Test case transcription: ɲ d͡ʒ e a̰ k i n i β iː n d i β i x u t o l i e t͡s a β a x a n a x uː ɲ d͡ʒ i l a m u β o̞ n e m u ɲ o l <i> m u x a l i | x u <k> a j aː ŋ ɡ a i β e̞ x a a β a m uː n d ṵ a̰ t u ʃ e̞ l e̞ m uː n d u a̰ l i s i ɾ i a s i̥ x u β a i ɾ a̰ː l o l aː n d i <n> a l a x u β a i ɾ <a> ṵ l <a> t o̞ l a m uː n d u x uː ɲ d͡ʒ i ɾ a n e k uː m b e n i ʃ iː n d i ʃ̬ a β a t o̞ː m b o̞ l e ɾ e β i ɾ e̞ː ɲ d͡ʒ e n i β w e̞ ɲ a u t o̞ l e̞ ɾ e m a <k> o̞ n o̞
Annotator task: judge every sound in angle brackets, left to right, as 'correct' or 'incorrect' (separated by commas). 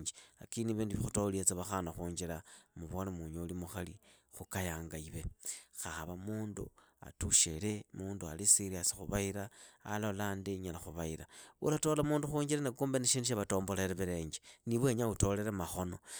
correct, correct, incorrect, correct, correct, incorrect